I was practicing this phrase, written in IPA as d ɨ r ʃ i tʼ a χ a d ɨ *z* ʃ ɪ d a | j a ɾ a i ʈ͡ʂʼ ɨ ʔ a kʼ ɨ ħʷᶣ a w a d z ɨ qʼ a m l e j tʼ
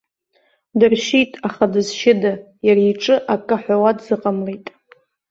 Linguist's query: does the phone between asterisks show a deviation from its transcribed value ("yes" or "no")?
no